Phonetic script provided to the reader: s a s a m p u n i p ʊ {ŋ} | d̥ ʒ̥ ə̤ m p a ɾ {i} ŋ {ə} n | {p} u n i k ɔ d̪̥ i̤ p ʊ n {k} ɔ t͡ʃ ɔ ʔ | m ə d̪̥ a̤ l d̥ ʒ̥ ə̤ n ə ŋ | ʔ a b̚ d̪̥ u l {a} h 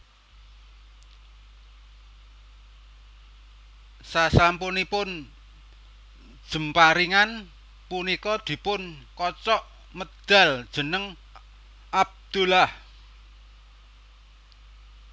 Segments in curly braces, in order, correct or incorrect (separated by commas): incorrect, correct, incorrect, correct, correct, correct